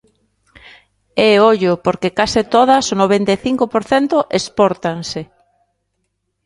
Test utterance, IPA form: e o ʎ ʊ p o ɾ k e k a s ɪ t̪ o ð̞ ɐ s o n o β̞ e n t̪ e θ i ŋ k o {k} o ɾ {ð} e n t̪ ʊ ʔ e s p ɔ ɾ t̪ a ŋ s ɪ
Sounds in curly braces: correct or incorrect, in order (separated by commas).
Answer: incorrect, incorrect